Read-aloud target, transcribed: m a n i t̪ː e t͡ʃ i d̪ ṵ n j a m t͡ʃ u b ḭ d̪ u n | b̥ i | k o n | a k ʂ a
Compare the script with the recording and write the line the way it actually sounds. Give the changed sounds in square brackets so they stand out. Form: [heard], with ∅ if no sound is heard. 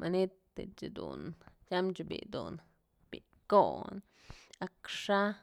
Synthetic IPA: m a n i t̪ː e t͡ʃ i d̪ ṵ n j a m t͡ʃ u b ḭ d̪ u n | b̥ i | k o n | a k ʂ a